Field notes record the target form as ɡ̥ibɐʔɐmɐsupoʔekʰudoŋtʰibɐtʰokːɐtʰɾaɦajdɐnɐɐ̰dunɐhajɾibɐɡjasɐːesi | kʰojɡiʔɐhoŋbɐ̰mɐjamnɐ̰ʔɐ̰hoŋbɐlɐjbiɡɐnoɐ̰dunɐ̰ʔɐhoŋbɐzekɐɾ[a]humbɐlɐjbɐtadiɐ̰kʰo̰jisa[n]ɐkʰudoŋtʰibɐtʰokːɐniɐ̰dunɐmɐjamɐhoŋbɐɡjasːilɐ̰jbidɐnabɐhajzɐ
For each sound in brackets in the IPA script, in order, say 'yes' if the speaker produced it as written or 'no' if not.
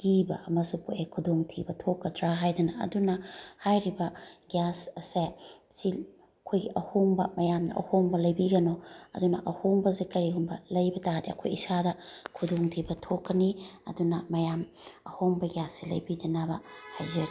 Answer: no, no

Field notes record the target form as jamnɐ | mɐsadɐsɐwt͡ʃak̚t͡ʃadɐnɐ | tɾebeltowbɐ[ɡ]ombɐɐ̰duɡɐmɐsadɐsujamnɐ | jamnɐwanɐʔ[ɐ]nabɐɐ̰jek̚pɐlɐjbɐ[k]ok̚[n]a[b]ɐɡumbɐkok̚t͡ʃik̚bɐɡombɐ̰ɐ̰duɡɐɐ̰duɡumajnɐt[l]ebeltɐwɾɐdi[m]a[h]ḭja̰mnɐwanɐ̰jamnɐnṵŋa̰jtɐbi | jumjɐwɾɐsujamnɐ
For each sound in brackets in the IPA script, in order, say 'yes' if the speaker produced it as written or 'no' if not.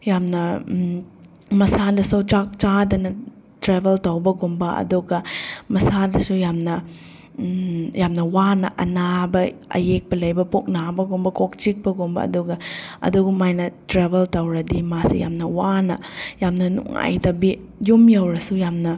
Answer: yes, yes, no, yes, yes, no, yes, no

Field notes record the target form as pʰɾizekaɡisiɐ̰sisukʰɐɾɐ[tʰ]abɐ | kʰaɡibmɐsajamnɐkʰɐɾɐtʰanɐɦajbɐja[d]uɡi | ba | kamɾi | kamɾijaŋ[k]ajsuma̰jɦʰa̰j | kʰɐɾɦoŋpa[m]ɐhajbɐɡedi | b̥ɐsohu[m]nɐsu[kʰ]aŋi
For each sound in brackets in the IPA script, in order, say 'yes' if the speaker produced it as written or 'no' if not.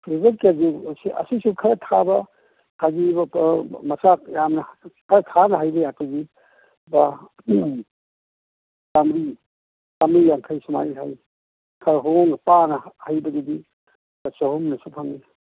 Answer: yes, no, no, no, yes, no

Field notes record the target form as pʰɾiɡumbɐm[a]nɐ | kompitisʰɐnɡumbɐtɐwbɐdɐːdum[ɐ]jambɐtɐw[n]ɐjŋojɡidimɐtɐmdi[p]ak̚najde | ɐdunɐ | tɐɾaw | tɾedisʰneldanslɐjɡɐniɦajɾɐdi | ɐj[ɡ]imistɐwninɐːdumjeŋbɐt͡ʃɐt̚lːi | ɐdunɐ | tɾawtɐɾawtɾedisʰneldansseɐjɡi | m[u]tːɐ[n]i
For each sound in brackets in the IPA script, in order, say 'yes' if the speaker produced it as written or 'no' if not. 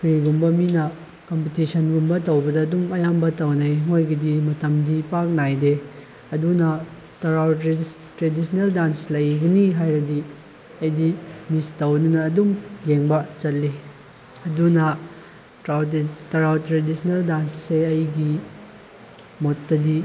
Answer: no, yes, yes, yes, no, no, no

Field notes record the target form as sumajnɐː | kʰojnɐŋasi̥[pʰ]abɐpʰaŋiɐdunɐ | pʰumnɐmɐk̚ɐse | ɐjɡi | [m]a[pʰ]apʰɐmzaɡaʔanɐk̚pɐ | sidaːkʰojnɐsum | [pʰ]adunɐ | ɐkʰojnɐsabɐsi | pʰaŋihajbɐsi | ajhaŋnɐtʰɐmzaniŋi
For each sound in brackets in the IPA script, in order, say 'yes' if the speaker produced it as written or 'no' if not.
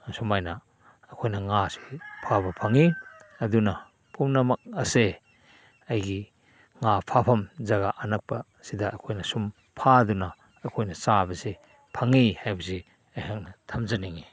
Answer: yes, no, yes, yes

